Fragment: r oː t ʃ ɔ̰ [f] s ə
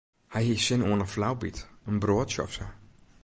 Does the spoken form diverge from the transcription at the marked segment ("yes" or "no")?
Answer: no